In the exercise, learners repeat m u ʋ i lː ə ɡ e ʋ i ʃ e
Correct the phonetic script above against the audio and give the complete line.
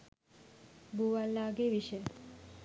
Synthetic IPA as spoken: b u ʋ a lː a ɡ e ʋ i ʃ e